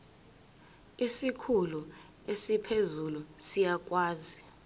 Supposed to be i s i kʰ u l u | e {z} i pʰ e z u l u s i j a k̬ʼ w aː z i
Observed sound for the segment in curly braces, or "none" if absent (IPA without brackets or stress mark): s